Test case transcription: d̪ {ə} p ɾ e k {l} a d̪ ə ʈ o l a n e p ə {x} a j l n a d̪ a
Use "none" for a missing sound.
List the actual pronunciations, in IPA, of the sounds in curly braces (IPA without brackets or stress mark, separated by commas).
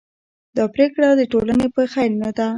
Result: ɑ, ɽ, x